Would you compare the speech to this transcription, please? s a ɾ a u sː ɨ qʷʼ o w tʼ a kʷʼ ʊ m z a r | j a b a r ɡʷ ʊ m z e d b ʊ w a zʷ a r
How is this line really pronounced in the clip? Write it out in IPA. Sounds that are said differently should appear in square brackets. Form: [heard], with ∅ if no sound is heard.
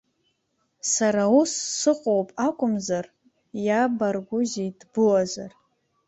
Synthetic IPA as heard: s a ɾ a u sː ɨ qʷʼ o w [pʼ] a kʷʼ ʊ m z a r | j a b a r ɡʷ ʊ [∅] z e d b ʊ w a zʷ a r